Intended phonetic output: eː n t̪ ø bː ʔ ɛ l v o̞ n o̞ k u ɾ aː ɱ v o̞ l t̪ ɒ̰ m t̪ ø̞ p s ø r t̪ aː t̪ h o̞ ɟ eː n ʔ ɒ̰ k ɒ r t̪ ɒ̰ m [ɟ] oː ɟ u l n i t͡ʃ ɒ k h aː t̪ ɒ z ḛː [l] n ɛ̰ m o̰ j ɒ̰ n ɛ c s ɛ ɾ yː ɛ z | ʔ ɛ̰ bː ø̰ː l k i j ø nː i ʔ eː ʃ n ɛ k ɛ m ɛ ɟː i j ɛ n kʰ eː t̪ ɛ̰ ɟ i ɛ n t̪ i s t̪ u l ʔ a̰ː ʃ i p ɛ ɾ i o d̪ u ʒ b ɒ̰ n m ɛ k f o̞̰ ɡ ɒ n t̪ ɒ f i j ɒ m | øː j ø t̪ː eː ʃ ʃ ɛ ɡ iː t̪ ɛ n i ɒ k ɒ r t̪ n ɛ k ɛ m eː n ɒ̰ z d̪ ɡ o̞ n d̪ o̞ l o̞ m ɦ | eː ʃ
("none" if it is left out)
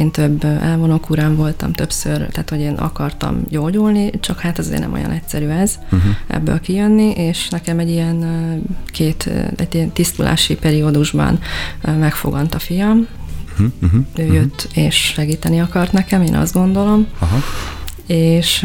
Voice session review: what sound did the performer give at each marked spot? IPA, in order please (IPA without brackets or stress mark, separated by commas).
ɟ, r